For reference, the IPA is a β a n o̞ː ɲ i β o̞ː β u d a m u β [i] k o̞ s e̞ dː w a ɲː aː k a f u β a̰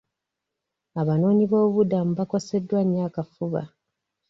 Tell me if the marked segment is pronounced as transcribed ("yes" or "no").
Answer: no